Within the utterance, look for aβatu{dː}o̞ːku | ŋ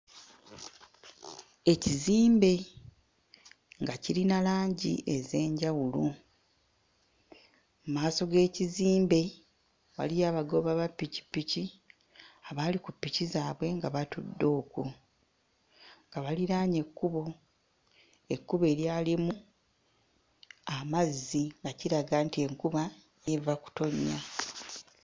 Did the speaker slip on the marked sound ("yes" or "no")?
no